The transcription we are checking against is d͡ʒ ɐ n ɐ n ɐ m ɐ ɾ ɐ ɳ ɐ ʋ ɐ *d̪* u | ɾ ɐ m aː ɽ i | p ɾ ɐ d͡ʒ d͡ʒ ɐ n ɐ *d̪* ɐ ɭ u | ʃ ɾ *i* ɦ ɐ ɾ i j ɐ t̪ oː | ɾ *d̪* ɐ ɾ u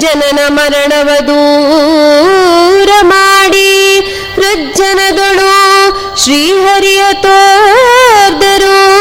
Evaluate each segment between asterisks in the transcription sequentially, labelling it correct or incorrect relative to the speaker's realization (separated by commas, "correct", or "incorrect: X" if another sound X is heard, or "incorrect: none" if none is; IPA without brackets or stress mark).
correct, correct, incorrect: iː, correct